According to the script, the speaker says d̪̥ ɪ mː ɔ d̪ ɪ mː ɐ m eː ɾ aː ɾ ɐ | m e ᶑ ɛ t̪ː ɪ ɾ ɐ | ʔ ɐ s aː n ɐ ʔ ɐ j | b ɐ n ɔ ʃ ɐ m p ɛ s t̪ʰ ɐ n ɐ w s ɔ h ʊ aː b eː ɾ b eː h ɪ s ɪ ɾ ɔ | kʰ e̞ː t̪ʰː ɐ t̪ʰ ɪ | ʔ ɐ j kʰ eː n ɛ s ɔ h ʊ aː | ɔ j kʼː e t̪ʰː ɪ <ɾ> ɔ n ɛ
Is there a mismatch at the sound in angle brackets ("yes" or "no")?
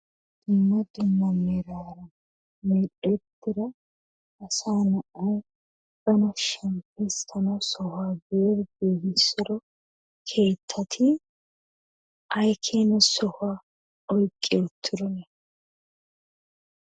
no